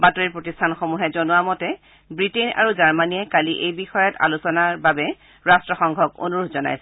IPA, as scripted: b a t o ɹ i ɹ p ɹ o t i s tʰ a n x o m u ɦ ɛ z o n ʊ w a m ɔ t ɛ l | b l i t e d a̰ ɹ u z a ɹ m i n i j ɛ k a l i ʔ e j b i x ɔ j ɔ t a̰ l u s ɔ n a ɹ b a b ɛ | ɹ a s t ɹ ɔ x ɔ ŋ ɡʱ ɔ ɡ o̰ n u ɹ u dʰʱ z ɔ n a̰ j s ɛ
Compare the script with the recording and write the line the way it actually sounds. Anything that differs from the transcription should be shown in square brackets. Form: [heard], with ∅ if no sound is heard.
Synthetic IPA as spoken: b a t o ɹ i ɹ p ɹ o t i s tʰ a n x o m u ɦ ɛ z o n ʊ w a m ɔ t ɛ [∅] | b [ɹ] i t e [n] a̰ ɹ u z a ɹ m [a] n i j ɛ k a l i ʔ e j b i x ɔ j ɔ t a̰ l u s ɔ n a ɹ b a b ɛ | ɹ a s t ɹ ɔ x ɔ ŋ ɡʱ ɔ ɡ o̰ n u ɹ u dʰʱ z ɔ n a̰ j s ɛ